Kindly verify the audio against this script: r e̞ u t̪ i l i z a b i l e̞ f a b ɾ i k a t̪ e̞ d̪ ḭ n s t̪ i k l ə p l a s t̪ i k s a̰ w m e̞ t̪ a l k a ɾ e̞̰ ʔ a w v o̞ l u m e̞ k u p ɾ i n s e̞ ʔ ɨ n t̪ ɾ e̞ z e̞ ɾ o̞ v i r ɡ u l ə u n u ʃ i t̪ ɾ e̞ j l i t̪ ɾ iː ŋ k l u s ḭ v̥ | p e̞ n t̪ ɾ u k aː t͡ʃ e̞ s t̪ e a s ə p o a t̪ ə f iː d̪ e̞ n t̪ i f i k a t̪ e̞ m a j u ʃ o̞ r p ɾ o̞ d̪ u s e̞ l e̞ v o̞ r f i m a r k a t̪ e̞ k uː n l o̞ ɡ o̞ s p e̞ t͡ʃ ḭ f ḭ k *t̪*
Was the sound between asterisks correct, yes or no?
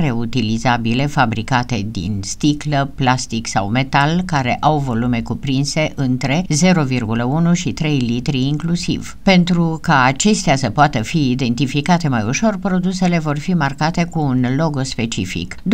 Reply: no